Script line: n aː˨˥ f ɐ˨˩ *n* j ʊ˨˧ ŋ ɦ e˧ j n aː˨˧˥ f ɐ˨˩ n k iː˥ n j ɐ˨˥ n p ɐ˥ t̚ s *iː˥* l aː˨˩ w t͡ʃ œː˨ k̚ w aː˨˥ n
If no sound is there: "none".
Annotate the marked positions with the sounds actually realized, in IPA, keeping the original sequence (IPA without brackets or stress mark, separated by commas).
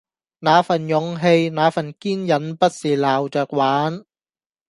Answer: n, iː˨˩